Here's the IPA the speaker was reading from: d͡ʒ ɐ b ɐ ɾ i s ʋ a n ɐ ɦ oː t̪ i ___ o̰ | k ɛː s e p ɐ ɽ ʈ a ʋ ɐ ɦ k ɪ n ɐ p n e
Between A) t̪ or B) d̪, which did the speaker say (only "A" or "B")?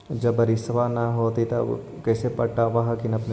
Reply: A